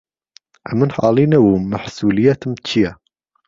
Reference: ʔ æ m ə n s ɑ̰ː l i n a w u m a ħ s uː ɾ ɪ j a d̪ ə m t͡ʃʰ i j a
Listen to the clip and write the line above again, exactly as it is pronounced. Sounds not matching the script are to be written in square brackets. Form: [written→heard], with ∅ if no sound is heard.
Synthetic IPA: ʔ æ m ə n [s→ħ] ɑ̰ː l i n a w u m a ħ s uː [ɾ→l] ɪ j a [d̪→t̪] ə m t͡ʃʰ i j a